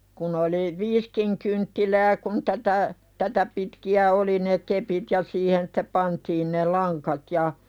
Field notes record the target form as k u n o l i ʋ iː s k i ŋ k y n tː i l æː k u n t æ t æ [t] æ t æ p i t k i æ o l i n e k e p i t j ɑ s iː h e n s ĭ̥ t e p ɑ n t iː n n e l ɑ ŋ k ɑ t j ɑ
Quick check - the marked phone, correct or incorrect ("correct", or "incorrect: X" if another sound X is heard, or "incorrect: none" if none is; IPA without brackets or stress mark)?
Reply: correct